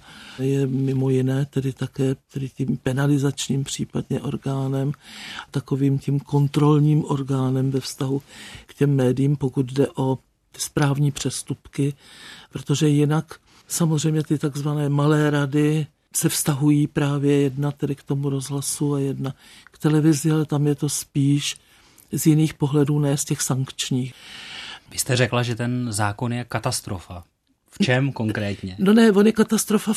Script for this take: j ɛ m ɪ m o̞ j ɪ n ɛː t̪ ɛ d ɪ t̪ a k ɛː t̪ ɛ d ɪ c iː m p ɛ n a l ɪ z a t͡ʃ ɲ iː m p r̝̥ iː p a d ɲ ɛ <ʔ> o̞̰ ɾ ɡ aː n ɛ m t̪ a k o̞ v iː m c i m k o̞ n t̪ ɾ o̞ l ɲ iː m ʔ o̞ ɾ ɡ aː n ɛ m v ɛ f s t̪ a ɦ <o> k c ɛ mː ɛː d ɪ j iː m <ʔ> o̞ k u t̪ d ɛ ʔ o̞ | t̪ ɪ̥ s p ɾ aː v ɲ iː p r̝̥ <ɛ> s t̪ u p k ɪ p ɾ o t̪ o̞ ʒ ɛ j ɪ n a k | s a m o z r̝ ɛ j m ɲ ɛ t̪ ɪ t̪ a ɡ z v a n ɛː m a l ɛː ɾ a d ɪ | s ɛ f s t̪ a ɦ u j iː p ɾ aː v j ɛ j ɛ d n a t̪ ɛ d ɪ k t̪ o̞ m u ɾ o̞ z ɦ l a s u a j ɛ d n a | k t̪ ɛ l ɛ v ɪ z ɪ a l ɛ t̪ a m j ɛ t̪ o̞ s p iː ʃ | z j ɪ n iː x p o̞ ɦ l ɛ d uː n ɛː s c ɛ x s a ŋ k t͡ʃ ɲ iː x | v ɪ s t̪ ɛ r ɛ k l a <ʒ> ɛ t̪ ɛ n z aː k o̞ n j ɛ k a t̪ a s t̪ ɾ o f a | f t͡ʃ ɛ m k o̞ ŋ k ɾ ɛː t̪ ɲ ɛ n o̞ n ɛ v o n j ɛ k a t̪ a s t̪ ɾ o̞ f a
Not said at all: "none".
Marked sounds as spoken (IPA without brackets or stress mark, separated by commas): ʔ, u, p, ɛ, ʒ